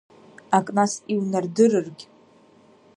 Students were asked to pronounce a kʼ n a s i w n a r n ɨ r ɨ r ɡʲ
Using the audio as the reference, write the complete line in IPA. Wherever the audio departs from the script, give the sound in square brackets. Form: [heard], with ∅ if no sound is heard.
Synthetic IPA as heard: a kʼ n a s i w n a r [d] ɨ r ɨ r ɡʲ